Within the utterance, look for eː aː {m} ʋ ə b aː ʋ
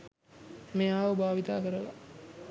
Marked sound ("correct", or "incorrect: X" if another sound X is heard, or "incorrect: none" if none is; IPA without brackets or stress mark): incorrect: none